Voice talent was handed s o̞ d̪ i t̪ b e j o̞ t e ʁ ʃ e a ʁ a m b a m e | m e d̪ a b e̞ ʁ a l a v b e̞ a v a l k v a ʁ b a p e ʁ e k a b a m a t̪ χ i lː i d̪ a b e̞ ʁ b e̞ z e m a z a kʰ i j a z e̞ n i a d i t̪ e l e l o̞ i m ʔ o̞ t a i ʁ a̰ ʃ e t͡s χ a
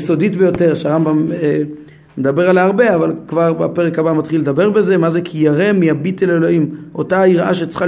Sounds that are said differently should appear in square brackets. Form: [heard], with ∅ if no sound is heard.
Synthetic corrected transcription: s o̞ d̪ i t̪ b e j o̞ t e ʁ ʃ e a ʁ a m b a m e | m e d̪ a b e̞ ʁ a l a [ʁ] b e̞ a v a l k v a ʁ b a p e ʁ e k a b a m a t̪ χ i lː [e] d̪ a b e̞ ʁ b e̞ z e m a z [e] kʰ i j a [ʁ] e̞ [m] i a [b] i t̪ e l e l o̞ i m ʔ o̞ t a i ʁ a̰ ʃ e t͡s χ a